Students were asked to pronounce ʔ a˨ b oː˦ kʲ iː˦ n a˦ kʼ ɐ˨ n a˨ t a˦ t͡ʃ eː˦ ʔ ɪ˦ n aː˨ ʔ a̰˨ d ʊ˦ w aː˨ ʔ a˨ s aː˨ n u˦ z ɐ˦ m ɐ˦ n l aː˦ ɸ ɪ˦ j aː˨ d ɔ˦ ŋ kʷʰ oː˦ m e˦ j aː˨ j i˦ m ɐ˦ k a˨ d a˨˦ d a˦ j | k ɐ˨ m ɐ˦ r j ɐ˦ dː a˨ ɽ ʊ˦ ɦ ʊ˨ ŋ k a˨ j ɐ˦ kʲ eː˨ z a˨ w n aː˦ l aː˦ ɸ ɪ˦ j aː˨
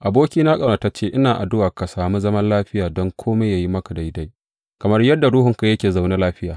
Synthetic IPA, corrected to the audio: ʔ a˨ b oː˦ kʲ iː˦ n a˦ kʼ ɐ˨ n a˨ t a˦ t͡ʃ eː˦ ʔ ɪ˦ n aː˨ ʔ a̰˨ d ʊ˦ w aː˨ k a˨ s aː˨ m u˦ z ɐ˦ m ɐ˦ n l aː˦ ɸ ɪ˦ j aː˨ d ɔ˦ ŋ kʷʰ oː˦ m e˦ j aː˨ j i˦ m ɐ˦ k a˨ d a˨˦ d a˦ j | k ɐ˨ m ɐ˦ r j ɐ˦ dː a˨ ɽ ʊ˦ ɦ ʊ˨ ŋ k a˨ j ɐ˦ kʲ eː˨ z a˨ w n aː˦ l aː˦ ɸ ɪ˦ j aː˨

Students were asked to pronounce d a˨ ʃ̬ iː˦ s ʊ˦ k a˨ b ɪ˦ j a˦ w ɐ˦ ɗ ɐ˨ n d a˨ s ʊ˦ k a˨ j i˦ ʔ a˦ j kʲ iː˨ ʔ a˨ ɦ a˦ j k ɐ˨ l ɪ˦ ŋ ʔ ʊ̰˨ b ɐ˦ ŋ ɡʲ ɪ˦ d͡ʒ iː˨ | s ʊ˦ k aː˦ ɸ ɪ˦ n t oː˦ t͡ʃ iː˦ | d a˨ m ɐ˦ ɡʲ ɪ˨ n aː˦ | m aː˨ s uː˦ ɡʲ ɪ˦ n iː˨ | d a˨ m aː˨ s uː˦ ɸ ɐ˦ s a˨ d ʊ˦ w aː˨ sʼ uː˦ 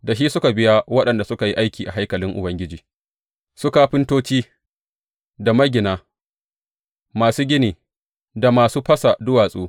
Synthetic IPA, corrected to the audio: d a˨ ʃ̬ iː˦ s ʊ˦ k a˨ b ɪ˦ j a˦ w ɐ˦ ɗ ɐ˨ n d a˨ s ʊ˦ k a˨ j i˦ ʔ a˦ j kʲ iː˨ ʔ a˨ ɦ a˦ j k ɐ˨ l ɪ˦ ŋ ʔ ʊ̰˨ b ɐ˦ ŋ ɡʲ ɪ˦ d͡ʒ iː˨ | s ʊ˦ k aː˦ ɸ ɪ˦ n t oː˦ t͡ʃ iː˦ | d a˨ m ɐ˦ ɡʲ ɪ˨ n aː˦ | m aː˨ s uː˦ ɡʲ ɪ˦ n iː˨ | d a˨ m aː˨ s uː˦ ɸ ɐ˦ s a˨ d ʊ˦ w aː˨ sʼ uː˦

